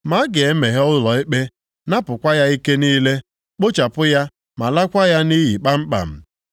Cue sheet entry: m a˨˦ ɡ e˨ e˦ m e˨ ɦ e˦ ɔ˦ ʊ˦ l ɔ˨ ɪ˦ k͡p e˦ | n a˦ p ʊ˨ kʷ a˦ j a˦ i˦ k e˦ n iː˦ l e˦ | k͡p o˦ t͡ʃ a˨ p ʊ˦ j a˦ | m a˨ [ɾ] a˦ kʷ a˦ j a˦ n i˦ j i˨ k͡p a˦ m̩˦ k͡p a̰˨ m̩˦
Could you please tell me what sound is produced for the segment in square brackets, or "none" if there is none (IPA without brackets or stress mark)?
l